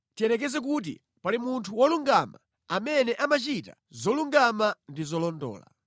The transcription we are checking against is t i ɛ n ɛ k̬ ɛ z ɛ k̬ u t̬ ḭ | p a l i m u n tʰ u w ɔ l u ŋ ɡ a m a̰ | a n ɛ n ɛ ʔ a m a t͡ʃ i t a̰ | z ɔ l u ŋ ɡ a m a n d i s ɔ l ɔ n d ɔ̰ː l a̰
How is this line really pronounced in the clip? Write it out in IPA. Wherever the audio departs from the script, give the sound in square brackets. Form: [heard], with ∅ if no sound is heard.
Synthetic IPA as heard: t i ɛ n ɛ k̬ ɛ z ɛ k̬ u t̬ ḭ | p a l i m u n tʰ u w ɔ l u ŋ ɡ a m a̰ | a [m] ɛ n ɛ ʔ a m a t͡ʃ i t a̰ | z ɔ l u ŋ ɡ a m a n d i [z] ɔ l ɔ n d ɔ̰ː l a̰